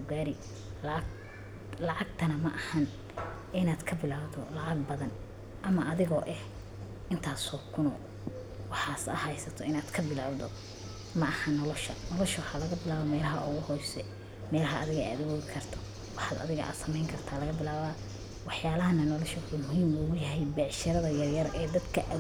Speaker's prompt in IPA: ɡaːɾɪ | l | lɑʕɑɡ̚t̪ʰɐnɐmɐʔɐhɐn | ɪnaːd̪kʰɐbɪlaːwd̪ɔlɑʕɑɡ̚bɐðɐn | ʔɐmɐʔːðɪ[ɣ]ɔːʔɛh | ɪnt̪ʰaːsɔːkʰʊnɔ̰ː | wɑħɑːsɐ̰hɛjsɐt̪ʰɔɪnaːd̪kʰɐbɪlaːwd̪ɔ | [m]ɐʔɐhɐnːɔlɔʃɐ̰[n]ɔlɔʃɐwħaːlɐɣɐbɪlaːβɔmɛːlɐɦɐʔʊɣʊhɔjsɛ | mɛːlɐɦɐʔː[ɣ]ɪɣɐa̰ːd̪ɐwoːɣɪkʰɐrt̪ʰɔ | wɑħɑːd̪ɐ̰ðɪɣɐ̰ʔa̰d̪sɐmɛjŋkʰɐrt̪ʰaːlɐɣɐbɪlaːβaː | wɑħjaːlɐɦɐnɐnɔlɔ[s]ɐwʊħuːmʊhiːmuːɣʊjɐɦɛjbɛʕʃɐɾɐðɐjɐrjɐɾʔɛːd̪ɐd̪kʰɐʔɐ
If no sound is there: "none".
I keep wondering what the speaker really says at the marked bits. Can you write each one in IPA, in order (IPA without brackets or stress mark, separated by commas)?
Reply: ɣ, m, n, ð, ʃ